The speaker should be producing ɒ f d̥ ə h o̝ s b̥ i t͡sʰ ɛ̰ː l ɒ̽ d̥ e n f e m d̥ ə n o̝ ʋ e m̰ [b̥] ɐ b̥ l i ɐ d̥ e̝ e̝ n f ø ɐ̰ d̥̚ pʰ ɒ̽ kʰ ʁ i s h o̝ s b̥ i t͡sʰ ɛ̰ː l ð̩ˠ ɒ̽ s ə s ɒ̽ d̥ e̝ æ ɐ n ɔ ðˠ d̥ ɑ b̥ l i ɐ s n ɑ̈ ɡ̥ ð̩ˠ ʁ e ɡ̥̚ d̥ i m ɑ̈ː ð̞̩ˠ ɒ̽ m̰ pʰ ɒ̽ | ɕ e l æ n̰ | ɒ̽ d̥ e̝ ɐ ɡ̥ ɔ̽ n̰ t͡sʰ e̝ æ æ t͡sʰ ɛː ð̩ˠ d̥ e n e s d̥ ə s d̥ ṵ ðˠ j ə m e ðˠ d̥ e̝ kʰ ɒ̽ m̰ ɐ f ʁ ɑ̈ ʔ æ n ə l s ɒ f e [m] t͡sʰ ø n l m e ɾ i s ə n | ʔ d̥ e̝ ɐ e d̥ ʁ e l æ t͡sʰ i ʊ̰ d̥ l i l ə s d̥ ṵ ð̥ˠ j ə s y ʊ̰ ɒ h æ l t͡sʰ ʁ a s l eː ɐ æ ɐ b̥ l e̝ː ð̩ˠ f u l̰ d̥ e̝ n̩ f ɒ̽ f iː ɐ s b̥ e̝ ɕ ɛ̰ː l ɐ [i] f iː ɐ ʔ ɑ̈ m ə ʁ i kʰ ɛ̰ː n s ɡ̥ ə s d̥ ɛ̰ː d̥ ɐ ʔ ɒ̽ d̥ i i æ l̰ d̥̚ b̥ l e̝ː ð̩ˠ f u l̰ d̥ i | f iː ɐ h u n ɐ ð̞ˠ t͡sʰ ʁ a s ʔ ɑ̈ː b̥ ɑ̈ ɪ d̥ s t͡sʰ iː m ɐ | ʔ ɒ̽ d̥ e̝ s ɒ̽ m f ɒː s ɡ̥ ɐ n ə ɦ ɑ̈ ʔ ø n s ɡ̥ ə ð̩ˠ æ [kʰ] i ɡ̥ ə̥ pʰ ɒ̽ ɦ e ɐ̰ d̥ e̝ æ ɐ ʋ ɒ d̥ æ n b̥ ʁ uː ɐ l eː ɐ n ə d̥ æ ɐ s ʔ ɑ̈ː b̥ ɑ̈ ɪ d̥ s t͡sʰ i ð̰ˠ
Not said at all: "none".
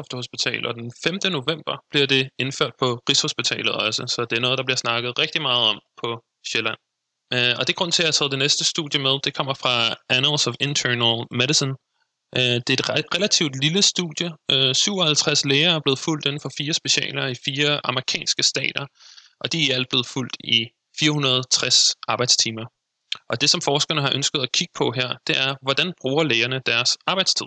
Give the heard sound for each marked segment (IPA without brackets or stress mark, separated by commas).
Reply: b̥, n, i, kʰ